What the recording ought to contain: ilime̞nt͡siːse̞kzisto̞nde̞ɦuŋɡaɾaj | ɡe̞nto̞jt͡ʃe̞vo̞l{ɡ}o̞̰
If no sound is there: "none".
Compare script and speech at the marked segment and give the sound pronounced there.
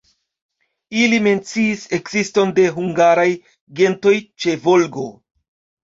ɡ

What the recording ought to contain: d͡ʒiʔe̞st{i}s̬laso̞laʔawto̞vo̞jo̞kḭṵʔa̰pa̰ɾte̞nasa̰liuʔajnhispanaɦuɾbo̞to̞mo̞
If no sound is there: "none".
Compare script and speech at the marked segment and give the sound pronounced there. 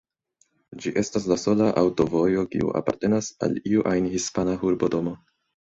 a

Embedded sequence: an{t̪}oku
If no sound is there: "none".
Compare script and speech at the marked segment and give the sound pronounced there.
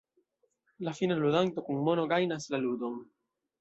t̪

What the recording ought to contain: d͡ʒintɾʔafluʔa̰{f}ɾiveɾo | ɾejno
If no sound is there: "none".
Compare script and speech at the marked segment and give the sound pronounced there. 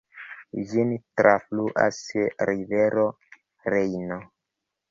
s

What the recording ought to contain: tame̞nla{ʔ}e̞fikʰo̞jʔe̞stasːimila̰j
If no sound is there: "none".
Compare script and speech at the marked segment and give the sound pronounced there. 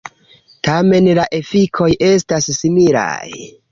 ʔ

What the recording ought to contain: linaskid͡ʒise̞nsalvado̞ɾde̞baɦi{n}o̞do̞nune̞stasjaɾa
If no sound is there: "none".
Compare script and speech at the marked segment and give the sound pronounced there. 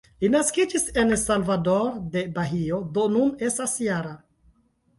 none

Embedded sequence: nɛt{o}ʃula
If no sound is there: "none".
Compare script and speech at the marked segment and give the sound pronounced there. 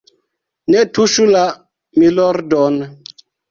u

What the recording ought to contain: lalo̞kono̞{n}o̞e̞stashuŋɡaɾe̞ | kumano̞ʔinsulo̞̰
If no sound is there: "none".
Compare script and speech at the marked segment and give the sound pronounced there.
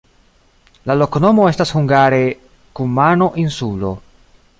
m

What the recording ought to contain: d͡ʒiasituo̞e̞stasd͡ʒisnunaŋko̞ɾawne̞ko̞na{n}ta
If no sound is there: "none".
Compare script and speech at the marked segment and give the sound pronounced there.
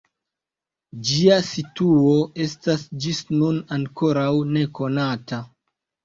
none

